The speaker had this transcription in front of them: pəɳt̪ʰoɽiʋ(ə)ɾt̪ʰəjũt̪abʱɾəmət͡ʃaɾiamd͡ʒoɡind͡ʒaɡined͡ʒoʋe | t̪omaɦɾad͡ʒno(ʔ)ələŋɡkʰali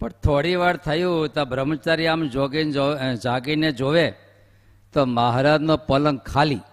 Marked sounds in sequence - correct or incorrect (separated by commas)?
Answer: incorrect, incorrect